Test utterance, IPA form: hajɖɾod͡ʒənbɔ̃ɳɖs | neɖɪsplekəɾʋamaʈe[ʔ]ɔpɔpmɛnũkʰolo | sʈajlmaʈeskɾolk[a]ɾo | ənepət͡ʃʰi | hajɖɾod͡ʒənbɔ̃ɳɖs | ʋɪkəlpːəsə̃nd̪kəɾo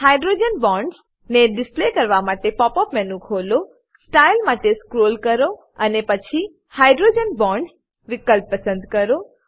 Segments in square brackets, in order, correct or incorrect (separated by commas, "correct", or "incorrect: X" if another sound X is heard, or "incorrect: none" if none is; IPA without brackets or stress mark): incorrect: p, incorrect: ə